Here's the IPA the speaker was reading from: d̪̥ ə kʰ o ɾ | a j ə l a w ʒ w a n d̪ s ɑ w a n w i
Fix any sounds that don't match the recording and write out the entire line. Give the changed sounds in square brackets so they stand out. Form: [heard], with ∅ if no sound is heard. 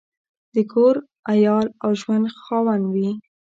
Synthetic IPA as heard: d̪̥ ə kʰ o ɾ | a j [ɑ] l a w ʒ w a n d̪ [x] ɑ w a n w i